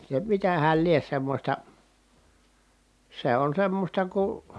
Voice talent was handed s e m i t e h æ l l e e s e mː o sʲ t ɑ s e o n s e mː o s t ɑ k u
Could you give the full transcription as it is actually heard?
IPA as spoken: s e m i t æ h æ l l i e s e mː o sʲ t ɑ s e o n s e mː o s t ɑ k u